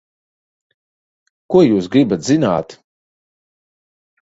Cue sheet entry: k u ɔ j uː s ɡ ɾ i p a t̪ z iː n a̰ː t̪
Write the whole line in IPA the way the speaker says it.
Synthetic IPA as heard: k u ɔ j uː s ɡ ɾ i b a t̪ z i n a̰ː t̪